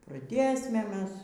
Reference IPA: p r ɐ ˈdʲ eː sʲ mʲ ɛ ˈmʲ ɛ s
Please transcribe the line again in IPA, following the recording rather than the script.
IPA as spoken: p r ɐ ˈdʲ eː sʲ mʲ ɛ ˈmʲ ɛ s